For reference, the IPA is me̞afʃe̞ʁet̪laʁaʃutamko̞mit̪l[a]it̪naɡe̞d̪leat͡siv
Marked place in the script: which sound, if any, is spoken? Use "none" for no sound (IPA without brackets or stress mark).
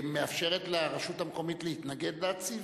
e